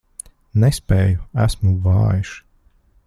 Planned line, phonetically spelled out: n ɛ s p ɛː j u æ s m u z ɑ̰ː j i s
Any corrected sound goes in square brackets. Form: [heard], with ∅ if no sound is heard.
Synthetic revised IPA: n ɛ s p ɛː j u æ s m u [v] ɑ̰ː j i [ʃ]